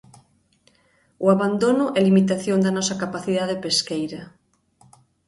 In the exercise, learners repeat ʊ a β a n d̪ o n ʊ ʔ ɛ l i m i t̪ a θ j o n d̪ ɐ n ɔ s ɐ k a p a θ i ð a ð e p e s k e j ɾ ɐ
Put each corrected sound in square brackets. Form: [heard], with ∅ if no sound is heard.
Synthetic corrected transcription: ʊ a β a n d̪ o n ʊ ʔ ɛ l i m i t̪ a θ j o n d̪ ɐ n ɔ s ɐ k a p a θ i ð a ð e p e s k e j ɾ ɐ